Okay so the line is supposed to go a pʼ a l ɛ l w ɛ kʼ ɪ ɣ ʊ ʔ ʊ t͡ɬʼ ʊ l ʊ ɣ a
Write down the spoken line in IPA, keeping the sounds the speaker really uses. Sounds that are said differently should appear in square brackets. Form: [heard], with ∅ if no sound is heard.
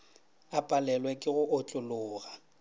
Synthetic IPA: a pʼ a l ɛ l w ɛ kʼ ɪ ɣ ʊ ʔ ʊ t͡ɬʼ ʊ l [ʊː] ɣ a